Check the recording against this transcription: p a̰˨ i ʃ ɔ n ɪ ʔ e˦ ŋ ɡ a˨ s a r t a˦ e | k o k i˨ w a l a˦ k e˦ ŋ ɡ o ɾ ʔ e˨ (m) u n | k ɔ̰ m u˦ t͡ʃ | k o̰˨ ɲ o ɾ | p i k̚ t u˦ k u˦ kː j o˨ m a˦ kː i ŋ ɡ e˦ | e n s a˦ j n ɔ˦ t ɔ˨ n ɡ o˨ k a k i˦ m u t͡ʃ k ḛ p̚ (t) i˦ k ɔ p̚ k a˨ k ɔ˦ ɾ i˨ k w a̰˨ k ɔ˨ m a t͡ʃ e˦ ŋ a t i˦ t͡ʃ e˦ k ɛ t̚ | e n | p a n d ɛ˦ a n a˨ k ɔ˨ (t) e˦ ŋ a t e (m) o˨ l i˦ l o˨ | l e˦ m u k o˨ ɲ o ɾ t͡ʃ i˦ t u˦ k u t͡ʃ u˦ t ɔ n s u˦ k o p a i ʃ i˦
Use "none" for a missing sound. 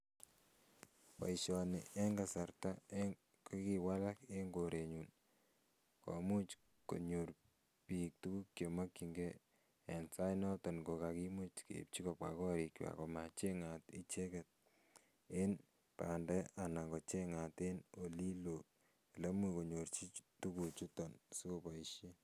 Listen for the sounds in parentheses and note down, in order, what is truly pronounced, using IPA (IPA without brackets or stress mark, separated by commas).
ɲ, t͡ʃ, t͡ʃ, n